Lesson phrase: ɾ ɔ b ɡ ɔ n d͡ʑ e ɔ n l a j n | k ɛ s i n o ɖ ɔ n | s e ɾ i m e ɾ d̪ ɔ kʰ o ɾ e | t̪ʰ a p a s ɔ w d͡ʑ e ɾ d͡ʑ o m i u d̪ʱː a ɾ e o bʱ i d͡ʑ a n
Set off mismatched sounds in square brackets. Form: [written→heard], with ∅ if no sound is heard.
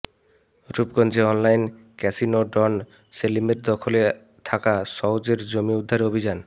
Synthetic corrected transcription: ɾ [ɔ→u] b ɡ ɔ n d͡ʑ e ɔ n l a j n | k ɛ s i n o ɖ ɔ n | s e [ɾ→l] i m e ɾ d̪ ɔ kʰ o [ɾ→l] e | t̪ʰ a [p→k] a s ɔ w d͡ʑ e ɾ d͡ʑ o m i u d̪ʱː a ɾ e o bʱ i d͡ʑ a n